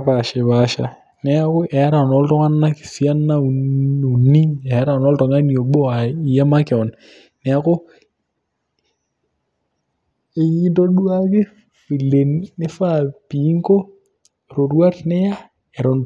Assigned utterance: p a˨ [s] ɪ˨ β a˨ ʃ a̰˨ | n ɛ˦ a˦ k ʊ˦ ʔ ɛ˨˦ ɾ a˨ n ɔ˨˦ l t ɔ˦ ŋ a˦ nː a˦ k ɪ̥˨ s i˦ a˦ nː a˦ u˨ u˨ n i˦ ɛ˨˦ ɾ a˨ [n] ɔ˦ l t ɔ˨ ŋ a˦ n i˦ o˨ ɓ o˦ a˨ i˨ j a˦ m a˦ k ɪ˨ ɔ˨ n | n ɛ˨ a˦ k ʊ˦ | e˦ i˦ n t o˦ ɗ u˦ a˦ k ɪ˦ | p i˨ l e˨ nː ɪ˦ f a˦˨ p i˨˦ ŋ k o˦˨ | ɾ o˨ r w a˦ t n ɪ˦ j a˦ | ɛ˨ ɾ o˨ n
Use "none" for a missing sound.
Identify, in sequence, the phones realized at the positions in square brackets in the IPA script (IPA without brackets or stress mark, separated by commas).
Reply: ʃ, n